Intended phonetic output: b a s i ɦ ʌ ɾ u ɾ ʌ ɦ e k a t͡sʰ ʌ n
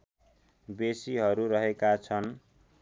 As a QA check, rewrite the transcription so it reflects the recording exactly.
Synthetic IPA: b e s i ɦ ʌ ɾ u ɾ ʌ ɦ e k a t͡sʰ ʌ n